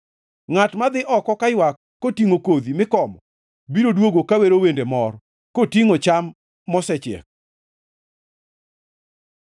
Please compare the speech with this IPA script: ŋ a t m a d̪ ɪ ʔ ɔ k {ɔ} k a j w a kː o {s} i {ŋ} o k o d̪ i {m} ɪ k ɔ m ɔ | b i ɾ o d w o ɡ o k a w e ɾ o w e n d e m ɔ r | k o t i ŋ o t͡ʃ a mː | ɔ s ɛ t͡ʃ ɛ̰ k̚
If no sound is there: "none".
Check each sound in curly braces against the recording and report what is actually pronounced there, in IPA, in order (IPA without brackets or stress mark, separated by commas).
ɔ, t, ŋ, m